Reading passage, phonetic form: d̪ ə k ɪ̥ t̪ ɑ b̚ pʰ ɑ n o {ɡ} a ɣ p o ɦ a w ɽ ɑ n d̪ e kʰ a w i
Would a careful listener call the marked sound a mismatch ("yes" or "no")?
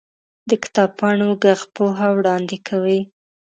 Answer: no